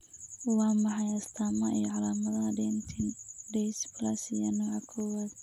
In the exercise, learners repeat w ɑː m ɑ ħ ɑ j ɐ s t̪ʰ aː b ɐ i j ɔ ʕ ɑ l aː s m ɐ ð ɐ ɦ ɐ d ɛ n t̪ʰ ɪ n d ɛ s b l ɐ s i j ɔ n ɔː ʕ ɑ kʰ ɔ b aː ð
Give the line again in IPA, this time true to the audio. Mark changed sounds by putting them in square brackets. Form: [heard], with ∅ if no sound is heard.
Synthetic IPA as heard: w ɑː m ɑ ħ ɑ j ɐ s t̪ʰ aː [m] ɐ i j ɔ ʕ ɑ l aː [∅] m ɐ ð ɐ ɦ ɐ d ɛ n t̪ʰ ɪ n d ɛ s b l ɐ s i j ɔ n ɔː ʕ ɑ kʰ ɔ [w] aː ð